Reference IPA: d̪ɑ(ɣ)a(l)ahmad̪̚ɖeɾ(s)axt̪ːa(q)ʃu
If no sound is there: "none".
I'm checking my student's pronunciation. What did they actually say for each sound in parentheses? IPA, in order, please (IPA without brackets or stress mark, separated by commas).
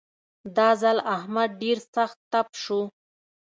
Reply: z, l, s, p